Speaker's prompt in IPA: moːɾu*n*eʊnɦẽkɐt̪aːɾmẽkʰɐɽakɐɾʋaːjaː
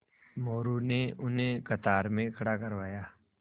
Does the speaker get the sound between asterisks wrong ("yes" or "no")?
no